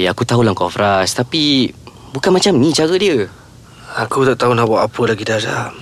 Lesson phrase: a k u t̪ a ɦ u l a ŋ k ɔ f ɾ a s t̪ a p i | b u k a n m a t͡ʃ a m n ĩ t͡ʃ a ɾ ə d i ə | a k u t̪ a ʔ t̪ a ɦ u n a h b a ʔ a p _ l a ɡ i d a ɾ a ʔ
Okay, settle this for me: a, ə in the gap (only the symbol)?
ə